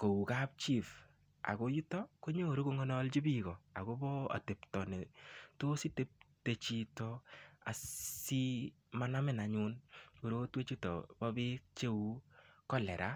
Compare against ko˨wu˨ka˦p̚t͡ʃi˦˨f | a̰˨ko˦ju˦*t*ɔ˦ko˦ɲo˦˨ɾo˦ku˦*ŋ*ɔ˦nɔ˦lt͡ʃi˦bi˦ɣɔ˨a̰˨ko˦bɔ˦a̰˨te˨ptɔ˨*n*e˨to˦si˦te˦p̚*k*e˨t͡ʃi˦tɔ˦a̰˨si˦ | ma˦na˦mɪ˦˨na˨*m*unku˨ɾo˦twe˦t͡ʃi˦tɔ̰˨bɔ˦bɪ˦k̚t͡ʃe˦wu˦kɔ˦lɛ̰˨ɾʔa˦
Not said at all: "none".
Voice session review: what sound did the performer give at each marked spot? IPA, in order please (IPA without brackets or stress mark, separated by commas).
t, ŋ, n, t, ɲ